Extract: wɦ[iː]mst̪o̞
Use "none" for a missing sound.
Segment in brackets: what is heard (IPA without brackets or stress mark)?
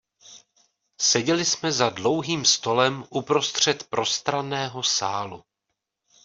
iː